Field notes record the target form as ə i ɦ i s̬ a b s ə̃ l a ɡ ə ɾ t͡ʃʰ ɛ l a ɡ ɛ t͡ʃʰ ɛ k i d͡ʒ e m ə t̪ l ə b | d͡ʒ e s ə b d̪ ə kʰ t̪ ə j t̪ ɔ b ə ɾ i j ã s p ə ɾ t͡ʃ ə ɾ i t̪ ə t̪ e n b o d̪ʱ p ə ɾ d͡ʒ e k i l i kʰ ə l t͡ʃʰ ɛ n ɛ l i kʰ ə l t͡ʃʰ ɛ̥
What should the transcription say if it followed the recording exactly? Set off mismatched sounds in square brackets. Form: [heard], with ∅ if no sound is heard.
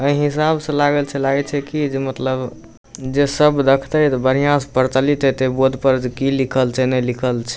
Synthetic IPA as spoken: ə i ɦ i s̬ a b s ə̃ l a ɡ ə [l] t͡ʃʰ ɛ l a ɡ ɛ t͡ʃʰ ɛ k i d͡ʒ e m ə t̪ l ə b | d͡ʒ e s ə b d̪ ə kʰ t̪ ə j t̪ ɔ b ə ɾ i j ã s p ə ɾ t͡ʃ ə [l] i t̪ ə t̪ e [∅] b o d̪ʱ p ə ɾ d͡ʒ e k i l i kʰ ə l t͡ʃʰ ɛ n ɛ l i kʰ ə l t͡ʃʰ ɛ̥